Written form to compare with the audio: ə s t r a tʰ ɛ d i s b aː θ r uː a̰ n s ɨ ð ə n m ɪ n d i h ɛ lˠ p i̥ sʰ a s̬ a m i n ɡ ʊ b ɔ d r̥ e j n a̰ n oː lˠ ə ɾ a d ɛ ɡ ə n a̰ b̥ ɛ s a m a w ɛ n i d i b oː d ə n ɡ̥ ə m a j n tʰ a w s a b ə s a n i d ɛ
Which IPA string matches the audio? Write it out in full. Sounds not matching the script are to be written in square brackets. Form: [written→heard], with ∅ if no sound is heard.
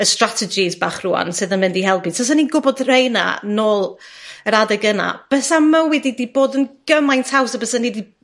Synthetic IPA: ə s t r a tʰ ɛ [d→d͡ʒ] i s b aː [θ→χ] r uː a̰ n s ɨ ð ə n m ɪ n d i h ɛ lˠ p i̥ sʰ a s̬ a [m→n] i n ɡ ʊ b ɔ d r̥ e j n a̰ n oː lˠ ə ɾ a d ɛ ɡ ə n a̰ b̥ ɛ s a m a w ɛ [n→d] i d i b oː d ə n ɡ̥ ə m a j n tʰ a w s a b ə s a n i d [ɛ→i]